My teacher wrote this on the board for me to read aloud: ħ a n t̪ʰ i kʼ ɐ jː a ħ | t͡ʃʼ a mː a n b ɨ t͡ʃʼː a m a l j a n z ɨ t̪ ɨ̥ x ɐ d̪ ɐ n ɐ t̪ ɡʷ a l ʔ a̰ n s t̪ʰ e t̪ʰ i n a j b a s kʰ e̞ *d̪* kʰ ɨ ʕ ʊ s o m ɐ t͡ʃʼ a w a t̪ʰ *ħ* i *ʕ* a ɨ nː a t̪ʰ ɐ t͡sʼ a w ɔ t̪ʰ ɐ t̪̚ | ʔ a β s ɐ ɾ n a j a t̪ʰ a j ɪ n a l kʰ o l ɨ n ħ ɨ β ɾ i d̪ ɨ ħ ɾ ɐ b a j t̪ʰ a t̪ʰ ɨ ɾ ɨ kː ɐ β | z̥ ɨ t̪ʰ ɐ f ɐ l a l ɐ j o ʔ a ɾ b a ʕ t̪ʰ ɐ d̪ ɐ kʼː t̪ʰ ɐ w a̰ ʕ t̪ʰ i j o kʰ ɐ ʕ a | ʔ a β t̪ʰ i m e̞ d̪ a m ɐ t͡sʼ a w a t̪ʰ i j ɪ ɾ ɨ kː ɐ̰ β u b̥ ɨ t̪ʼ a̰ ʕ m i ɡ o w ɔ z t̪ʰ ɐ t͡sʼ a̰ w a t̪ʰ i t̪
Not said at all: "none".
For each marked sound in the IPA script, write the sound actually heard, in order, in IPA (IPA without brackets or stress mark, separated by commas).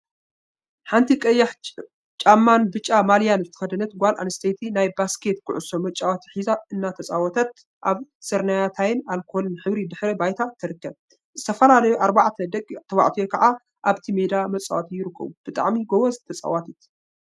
t̪, ħ, z